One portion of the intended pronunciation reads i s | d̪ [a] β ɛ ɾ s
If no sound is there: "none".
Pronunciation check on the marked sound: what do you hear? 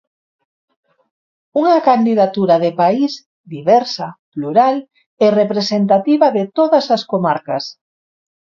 i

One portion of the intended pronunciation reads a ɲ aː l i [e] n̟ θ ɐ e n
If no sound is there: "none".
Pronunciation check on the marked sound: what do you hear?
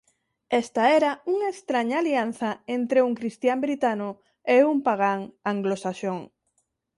a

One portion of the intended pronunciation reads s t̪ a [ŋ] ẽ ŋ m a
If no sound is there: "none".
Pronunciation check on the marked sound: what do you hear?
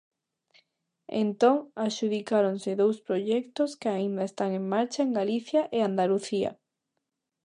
ŋ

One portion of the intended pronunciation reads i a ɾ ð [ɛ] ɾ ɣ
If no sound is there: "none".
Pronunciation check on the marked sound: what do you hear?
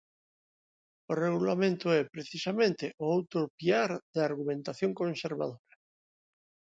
a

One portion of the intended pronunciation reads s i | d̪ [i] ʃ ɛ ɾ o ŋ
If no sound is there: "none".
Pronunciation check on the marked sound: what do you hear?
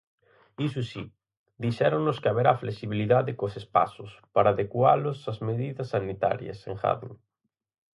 i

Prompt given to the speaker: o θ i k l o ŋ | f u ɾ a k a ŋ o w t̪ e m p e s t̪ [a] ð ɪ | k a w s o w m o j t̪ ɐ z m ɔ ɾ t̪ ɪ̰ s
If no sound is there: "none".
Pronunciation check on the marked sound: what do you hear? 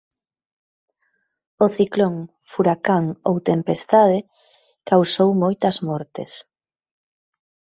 a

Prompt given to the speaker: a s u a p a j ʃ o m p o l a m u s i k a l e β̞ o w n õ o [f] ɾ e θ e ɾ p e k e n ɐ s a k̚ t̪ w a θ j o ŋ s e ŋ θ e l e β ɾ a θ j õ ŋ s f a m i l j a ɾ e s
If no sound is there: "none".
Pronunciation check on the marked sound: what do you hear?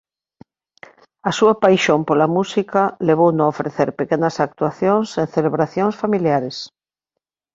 f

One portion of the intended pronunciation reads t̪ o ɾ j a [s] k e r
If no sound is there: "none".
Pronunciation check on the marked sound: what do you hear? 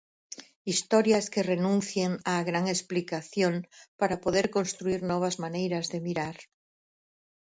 s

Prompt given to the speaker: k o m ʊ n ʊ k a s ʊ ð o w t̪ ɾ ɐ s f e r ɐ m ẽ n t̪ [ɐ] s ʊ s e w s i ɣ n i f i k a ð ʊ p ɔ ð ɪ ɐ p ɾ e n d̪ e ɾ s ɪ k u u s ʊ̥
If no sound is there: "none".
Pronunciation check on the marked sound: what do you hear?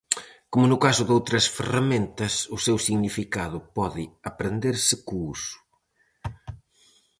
ɐ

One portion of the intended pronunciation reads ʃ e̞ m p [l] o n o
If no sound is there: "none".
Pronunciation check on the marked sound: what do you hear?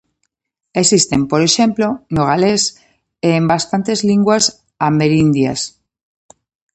l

